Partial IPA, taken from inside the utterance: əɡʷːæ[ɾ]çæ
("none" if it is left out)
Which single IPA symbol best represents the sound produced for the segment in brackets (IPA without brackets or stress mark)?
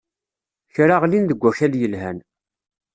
none